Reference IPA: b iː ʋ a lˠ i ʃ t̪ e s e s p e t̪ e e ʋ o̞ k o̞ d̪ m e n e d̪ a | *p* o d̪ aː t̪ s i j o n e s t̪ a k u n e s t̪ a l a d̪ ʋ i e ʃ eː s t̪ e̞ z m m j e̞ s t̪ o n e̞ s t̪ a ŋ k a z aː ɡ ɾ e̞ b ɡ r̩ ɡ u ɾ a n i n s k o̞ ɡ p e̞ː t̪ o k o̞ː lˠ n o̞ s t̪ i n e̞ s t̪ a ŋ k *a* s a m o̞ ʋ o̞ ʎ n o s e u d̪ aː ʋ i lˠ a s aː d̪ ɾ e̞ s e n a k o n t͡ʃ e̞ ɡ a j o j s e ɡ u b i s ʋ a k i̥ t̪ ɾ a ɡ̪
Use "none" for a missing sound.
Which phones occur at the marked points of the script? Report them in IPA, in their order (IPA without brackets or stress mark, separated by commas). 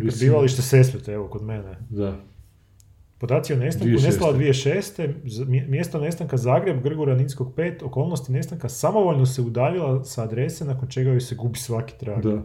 p, a